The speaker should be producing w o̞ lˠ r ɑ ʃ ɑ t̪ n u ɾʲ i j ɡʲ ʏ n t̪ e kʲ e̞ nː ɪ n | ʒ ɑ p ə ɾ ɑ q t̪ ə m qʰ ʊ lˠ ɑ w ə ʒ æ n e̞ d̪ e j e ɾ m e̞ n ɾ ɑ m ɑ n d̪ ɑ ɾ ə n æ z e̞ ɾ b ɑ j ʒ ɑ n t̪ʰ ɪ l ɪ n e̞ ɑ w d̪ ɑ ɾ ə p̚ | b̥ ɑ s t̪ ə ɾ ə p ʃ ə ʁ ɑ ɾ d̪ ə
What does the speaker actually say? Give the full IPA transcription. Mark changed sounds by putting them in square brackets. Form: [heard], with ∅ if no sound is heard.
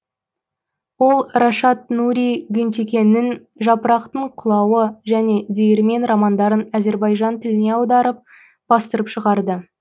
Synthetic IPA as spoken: w o̞ lˠ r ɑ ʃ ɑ t̪ n u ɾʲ i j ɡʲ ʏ n t̪ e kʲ e̞ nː ɪ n | ʒ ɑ p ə ɾ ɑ q t̪ ə [ɴ] qʰ ʊ lˠ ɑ w ə ʒ æ n e̞ d̪ e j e ɾ m e̞ n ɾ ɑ m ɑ n d̪ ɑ ɾ ə n æ z e̞ ɾ b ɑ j ʒ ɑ n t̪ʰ ɪ l ɪ n e̞ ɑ w d̪ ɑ ɾ ə p̚ | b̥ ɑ s t̪ ə ɾ ə p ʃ ə ʁ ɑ ɾ d̪ ə